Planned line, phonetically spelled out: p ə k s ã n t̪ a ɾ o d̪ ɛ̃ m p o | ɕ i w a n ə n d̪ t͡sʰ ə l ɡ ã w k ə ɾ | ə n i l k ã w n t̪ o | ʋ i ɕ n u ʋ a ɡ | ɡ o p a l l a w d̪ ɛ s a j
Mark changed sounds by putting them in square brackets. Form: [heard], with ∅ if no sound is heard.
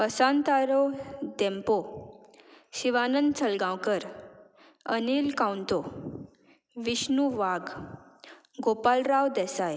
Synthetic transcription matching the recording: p ə [∅] s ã n t̪ a ɾ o d̪ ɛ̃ m p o | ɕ i [ʋ] a n ə n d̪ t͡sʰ ə l ɡ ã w k ə ɾ | ə n i l k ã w n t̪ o | ʋ i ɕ n u ʋ a ɡ | ɡ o p a l [ɾ] a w d̪ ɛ s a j